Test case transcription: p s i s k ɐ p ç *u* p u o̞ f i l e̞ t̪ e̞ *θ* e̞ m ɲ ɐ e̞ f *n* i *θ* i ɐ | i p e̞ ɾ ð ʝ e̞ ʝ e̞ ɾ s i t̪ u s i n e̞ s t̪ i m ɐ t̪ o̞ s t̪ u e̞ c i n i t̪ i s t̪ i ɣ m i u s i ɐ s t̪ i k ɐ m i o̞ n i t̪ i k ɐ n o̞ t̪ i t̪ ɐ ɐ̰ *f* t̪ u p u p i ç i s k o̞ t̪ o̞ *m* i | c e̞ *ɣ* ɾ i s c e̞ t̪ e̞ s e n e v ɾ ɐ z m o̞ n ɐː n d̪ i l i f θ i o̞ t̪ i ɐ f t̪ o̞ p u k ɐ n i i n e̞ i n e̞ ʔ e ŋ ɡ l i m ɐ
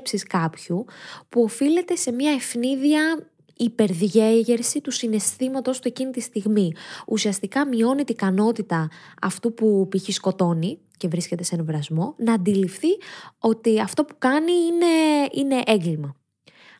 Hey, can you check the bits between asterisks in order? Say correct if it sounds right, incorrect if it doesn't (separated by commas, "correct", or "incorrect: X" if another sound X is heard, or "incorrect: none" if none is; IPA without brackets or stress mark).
correct, incorrect: s, correct, incorrect: ð, correct, incorrect: n, incorrect: v